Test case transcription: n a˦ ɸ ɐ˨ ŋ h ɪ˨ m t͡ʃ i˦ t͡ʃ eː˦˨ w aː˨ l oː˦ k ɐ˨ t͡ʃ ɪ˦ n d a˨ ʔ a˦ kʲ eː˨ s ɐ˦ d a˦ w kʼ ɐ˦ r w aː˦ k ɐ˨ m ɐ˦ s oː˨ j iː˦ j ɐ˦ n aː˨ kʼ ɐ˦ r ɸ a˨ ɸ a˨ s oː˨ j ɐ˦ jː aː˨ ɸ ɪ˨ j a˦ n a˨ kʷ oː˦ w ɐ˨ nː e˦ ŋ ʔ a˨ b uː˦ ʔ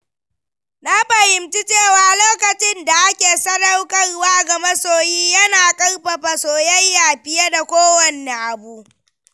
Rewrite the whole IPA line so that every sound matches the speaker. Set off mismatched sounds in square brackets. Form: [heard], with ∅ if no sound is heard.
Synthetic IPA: n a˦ ɸ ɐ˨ [∅] h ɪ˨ m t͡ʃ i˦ t͡ʃ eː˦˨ w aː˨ l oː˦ k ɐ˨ t͡ʃ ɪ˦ n d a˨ ʔ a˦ kʲ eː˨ s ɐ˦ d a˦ w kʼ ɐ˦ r w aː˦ [ɡ] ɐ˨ m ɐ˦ s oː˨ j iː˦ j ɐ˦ n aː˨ kʼ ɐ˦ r ɸ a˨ ɸ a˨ s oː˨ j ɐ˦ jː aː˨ ɸ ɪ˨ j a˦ [d] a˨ kʷ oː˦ w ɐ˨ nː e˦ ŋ ʔ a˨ b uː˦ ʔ